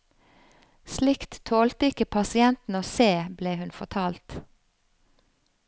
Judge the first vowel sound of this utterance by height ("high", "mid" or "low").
high